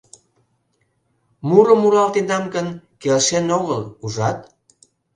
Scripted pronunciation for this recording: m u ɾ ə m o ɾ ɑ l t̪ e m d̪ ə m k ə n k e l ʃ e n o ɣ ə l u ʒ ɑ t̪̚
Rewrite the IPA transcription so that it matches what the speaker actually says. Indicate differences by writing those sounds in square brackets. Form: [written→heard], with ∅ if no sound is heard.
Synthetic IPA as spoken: m u ɾ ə m [o→u] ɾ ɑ l t̪ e [m→n] d̪ [ə→ɑ] m k ə n k e l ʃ e n o ɣ ə l u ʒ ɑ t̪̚